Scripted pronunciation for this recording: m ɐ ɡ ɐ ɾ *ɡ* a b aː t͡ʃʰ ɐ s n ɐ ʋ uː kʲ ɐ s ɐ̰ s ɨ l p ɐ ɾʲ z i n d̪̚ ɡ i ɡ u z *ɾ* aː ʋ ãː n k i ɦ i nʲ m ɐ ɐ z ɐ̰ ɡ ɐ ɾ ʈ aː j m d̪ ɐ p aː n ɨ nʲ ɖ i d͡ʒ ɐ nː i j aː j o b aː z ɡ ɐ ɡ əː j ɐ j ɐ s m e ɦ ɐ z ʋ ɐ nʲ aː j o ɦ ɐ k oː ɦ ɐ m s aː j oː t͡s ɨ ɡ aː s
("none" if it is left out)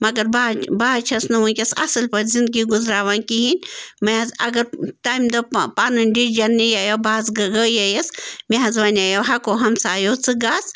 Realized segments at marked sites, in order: b, ɾ

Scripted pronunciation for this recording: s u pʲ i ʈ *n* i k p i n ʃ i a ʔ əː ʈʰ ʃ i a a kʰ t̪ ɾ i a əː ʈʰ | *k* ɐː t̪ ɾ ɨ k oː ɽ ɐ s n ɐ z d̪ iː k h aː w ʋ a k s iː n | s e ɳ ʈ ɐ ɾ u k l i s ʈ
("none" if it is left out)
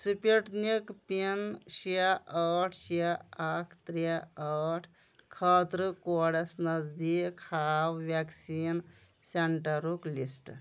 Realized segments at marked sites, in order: n, kʰ

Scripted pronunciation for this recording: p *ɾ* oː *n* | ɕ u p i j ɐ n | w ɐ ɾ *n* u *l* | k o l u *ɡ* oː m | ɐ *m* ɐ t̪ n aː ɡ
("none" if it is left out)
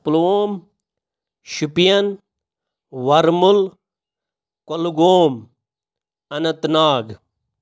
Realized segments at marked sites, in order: l, m, m, l, ɡ, n

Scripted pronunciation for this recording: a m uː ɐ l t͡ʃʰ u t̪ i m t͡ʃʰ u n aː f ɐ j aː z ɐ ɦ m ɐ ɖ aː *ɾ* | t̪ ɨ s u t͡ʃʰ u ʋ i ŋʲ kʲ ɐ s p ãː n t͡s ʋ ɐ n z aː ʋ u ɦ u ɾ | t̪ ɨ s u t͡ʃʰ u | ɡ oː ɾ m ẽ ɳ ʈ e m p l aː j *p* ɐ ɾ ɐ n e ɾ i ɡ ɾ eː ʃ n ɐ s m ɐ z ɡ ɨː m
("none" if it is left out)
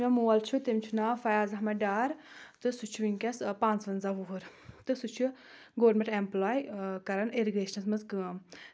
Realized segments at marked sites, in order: ɾ, k

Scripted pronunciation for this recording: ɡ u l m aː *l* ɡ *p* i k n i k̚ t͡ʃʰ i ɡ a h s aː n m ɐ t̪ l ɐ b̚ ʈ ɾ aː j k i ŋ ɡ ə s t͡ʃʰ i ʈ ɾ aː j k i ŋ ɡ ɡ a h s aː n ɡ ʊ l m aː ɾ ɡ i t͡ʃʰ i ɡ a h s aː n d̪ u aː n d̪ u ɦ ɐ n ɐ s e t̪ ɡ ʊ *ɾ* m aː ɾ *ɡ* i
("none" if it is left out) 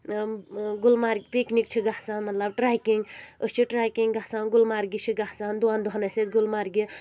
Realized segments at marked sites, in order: ɾ, p, l, ɡ

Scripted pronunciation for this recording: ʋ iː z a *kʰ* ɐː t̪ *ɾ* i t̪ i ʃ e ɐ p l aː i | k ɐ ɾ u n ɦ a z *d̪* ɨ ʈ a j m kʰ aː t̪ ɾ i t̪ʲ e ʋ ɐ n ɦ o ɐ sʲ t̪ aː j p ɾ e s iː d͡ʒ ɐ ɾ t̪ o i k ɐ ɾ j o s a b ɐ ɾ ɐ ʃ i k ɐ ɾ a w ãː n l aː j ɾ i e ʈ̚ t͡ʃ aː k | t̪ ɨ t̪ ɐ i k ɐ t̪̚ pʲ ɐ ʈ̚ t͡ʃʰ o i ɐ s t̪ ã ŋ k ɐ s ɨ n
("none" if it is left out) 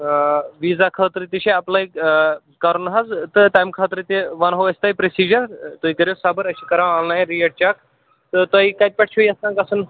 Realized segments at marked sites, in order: kʰ, ɾ, t̪

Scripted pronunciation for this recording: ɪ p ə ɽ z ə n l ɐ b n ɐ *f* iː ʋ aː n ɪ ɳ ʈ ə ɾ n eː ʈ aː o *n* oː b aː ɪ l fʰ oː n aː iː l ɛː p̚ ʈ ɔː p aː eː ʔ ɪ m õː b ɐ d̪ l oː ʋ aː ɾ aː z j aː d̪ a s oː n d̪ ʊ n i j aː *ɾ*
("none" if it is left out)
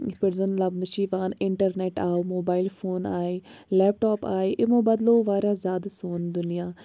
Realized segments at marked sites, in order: ʃ, m, none

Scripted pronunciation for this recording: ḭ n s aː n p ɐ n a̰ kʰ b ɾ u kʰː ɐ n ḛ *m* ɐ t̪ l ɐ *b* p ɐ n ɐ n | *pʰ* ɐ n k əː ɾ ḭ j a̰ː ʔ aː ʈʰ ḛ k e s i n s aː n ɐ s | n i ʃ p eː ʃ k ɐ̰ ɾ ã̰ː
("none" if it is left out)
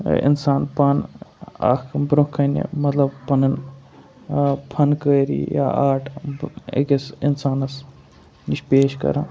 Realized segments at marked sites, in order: m, b, pʰ

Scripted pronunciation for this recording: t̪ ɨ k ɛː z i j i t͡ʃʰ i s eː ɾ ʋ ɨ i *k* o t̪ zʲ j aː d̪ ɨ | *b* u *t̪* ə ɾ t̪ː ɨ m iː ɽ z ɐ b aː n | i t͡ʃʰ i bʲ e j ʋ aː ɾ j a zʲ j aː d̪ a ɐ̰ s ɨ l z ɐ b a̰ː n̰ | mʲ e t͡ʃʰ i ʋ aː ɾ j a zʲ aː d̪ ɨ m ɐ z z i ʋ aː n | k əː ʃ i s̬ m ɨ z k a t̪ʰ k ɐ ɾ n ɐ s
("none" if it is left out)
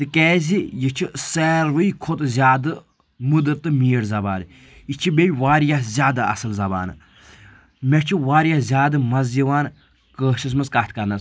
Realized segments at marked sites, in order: kʰ, m, d̪

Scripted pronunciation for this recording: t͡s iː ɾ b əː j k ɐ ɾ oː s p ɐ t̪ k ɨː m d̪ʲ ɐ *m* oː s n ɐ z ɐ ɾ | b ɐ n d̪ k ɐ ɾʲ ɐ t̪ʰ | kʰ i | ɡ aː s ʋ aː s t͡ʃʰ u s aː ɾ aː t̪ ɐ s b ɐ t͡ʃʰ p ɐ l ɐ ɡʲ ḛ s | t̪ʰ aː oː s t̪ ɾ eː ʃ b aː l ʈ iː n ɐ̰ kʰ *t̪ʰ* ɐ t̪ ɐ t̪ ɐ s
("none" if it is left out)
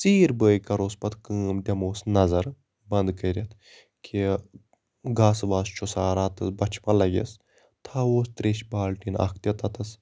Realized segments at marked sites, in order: m, t̪

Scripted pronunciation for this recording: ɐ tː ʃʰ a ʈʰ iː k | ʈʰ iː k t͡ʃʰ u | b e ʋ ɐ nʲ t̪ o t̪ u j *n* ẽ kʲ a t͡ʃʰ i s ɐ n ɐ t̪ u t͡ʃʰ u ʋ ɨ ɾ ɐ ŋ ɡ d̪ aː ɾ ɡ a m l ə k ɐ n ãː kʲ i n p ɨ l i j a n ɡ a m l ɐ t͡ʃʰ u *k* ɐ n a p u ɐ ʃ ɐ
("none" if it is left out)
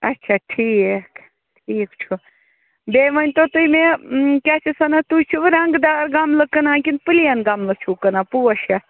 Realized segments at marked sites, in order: m, k

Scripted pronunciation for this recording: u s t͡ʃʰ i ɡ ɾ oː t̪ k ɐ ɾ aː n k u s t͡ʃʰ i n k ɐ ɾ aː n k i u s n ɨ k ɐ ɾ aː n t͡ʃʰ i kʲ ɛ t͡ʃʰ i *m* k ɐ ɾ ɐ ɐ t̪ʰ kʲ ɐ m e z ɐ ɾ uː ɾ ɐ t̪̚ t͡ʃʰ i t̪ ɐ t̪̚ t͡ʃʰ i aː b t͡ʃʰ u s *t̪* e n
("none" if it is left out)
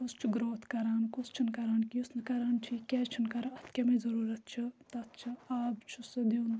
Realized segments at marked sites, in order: n, d̪

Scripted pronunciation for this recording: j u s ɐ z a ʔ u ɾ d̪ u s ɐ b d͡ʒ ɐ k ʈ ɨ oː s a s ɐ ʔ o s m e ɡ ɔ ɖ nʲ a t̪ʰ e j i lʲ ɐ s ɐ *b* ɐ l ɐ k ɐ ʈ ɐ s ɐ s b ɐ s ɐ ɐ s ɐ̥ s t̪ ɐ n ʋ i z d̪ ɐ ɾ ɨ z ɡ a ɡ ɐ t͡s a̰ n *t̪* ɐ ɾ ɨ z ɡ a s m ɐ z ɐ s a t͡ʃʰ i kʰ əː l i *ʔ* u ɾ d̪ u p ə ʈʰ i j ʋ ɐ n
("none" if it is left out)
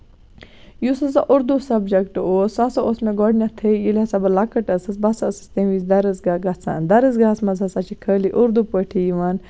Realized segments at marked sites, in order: b, d̪, ʔ

